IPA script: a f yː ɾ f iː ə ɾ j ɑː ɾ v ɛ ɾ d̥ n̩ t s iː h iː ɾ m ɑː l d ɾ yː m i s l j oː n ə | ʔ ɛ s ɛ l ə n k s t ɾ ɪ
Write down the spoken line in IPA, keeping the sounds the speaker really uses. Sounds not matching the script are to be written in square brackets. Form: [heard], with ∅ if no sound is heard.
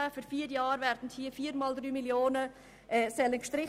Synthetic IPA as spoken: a f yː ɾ f iː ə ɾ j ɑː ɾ v ɛ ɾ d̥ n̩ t [h] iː [f] iː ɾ m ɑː l d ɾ yː m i [∅] l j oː n ə | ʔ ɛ s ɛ l ə n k [ʃ] t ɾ ɪ